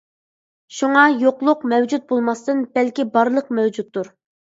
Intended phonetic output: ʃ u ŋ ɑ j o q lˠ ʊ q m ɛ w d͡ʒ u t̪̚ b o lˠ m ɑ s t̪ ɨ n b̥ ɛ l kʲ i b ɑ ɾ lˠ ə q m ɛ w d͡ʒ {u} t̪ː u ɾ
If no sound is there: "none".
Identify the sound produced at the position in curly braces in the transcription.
u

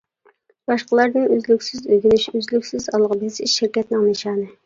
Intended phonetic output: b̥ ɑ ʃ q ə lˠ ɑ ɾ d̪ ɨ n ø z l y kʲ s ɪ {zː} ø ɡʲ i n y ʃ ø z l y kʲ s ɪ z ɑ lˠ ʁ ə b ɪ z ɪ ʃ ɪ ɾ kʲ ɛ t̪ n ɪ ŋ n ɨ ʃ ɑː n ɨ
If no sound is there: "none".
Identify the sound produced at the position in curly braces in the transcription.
z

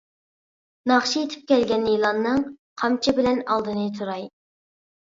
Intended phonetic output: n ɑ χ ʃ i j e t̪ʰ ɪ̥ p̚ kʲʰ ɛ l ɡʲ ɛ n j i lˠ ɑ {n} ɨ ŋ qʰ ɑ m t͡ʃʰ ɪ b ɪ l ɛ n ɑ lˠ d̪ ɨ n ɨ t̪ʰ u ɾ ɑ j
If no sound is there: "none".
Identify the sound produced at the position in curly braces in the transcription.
nː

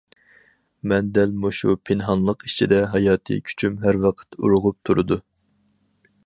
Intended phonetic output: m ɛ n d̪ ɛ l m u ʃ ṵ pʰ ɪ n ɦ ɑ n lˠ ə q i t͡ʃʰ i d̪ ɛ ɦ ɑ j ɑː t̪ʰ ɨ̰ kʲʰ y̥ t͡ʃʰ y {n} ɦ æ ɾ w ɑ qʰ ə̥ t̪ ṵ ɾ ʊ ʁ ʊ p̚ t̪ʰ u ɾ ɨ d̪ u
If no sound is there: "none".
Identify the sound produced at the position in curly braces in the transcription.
m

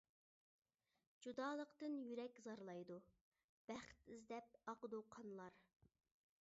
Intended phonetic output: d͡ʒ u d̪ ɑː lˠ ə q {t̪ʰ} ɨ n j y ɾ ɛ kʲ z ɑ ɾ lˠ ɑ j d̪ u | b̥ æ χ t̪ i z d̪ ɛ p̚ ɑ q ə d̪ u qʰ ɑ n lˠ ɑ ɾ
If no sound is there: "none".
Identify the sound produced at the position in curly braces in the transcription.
t̪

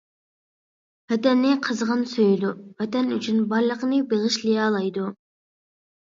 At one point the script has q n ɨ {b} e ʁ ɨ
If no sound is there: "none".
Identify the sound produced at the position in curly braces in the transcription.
b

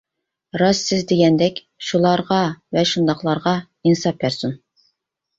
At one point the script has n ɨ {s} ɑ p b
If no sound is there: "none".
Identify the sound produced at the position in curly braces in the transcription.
s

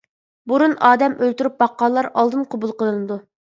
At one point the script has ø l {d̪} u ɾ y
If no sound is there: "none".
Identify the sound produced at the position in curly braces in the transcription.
t̪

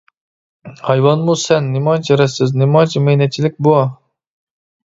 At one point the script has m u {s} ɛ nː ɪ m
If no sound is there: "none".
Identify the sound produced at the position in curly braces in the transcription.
s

